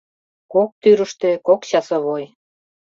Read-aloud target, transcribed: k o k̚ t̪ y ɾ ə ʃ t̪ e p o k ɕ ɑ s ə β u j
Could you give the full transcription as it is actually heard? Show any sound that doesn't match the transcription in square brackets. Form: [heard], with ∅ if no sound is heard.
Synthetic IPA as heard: k o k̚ t̪ y ɾ ə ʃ t̪ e [k] o k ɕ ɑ s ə β [o] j